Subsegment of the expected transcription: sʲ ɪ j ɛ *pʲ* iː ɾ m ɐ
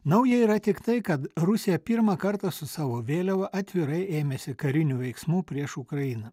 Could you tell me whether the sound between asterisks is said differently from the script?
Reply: no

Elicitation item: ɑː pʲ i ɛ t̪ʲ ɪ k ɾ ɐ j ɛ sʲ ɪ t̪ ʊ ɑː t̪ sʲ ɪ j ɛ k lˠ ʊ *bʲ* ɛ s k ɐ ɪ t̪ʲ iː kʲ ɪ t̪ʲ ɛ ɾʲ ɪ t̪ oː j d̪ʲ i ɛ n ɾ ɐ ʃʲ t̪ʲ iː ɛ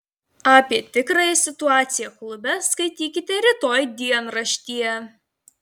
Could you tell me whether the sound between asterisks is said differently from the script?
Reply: no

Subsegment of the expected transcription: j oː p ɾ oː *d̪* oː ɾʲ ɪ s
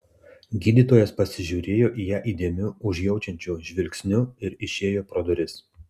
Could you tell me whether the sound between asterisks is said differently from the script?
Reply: no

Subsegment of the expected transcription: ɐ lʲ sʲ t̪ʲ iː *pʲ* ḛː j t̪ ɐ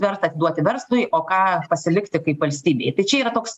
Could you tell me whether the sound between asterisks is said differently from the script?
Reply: yes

